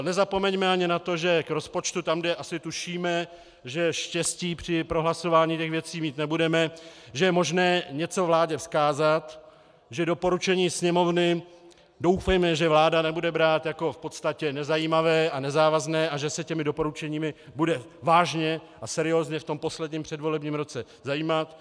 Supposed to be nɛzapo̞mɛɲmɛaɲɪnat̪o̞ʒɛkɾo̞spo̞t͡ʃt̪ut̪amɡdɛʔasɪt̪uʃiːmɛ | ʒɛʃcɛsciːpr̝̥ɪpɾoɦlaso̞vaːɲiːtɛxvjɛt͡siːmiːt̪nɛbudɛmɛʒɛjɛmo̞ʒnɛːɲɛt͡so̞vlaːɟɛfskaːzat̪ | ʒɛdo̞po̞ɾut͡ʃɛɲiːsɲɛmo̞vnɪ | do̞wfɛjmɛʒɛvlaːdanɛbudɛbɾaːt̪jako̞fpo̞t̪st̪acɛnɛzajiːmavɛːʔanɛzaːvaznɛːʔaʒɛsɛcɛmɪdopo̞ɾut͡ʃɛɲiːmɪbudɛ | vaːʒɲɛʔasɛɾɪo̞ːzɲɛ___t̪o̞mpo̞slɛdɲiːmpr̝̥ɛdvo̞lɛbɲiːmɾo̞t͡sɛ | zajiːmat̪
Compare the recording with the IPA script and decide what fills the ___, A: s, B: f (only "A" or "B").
B